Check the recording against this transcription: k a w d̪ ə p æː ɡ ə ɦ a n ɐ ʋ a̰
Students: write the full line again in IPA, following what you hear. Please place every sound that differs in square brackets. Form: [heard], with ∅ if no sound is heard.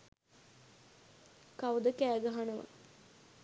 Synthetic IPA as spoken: k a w d̪ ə [k] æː ɡ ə ɦ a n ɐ ʋ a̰

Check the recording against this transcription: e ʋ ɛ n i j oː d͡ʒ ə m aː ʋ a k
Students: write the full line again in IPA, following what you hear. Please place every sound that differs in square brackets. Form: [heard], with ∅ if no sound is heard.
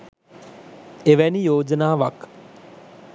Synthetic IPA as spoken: e ʋ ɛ n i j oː d͡ʒ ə [n] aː ʋ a k

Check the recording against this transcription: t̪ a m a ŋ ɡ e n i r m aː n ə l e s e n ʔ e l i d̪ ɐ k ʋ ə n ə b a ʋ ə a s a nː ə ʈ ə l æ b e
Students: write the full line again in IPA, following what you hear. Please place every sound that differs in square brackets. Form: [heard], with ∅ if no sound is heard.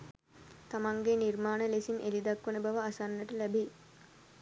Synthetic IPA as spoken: t̪ a m a ŋ ɡ e n i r m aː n ə l e s [i] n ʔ e l i d̪ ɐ k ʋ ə n ə b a ʋ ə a s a nː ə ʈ ə l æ b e

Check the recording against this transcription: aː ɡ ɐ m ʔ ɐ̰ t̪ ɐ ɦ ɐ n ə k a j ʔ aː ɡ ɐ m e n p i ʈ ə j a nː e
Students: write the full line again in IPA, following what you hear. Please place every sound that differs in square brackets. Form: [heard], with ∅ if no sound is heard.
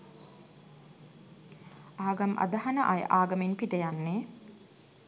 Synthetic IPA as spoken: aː ɡ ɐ m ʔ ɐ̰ [d̪] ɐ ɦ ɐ n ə [ʔ] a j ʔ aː ɡ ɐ m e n p i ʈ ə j a nː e

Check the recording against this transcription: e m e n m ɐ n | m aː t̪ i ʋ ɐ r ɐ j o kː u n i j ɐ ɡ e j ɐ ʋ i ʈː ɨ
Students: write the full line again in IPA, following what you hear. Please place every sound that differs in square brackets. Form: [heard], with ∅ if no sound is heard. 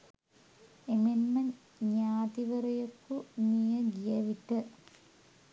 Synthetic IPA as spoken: e m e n m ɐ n | [ɲ] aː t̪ i ʋ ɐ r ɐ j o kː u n i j ɐ ɡ [i] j ɐ ʋ i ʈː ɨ

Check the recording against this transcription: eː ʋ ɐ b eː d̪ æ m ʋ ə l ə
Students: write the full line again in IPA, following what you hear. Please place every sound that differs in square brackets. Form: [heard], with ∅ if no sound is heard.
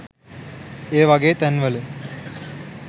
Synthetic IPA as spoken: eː ʋ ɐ [ɡ] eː [t̪] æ [n] ʋ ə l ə

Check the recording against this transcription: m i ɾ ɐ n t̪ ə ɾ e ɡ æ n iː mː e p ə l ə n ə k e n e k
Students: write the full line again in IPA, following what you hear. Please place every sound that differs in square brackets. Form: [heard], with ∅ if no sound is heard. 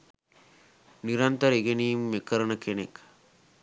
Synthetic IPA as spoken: [n] i ɾ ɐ n t̪ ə ɾ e ɡ [e] n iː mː e [k] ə [ɾ] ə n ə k e n e k

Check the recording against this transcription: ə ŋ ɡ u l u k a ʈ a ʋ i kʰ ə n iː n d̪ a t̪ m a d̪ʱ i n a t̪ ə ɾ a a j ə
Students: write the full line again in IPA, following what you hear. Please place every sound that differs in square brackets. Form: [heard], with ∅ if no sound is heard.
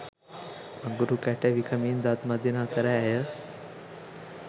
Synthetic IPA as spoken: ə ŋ ɡ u [ɾ] u k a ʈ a ʋ i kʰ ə [m] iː n d̪ a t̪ m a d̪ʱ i n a t̪ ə ɾ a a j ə

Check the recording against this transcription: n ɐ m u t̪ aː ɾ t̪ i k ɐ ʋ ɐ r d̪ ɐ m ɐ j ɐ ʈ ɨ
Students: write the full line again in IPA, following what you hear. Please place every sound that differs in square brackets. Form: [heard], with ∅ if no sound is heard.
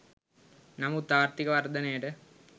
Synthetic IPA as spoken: n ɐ m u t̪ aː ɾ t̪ i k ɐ ʋ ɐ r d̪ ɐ [n] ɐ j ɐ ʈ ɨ

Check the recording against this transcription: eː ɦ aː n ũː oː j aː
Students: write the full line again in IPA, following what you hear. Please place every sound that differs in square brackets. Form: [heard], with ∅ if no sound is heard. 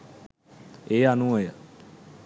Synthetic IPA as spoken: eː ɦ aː n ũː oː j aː

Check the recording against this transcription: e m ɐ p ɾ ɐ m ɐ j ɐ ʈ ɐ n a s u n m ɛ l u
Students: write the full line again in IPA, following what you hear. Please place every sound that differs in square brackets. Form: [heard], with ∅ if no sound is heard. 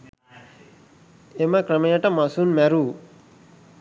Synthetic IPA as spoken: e m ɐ [k] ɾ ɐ m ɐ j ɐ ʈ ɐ [m] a s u n m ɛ [ɾ] u

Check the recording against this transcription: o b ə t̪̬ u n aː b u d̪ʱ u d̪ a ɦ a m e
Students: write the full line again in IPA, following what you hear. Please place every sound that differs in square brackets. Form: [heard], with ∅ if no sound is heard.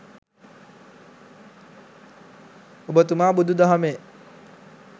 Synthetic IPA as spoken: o b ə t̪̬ u [m] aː b u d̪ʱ u d̪ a ɦ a m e

